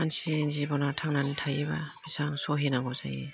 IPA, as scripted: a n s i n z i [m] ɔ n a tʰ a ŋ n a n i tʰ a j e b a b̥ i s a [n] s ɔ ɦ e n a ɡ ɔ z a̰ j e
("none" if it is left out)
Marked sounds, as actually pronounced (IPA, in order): b, ŋ

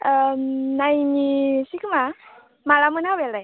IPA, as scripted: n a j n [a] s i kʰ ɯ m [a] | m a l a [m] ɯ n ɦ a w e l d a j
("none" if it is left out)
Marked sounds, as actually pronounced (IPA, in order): i, a, m

